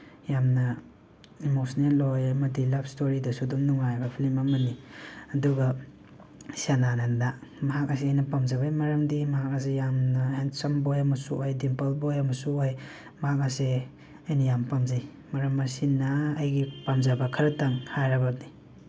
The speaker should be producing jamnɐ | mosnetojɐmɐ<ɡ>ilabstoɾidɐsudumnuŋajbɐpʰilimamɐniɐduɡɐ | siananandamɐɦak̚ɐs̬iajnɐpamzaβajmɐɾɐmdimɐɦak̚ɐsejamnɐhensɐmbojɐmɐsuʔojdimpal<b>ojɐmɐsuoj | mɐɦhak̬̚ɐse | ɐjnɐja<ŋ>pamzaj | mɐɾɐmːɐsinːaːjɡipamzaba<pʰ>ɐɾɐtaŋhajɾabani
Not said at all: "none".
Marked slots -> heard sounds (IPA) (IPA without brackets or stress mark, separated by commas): d, b, m, kʰ